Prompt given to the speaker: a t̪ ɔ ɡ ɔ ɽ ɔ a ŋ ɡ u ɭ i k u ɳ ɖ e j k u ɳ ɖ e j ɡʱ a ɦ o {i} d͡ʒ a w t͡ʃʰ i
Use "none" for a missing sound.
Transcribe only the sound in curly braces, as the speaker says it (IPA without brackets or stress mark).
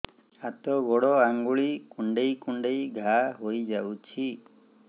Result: j